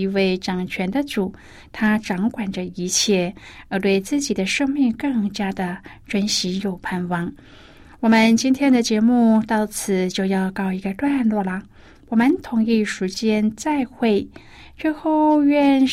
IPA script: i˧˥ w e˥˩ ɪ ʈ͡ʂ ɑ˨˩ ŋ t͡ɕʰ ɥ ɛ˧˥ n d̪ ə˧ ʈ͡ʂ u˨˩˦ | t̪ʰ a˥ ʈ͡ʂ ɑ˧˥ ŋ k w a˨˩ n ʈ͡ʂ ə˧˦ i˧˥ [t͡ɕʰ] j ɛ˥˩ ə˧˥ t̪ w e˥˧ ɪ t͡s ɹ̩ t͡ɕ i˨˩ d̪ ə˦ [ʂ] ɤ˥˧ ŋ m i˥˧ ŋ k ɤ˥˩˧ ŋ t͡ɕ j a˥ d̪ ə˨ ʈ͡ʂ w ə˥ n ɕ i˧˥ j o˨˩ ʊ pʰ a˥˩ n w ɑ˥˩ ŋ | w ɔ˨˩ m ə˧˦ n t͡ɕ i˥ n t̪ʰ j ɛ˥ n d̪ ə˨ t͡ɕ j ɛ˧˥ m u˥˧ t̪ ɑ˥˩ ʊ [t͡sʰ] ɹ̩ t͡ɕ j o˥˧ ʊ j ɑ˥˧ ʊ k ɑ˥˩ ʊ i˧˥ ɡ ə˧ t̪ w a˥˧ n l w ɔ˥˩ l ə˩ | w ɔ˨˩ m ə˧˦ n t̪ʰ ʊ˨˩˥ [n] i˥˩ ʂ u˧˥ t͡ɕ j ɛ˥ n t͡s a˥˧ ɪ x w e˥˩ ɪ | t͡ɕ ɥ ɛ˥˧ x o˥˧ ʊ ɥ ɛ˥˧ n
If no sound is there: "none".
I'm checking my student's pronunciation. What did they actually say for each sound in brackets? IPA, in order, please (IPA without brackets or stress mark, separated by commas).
t͡ɕʰ, ʂ, t͡sʰ, ŋ